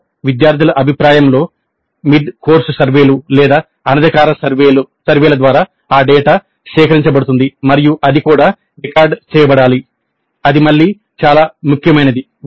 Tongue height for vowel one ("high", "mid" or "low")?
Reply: high